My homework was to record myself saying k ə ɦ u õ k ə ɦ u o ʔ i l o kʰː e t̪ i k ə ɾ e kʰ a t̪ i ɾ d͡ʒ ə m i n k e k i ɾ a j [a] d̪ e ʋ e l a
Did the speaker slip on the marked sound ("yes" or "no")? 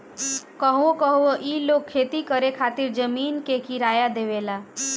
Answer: no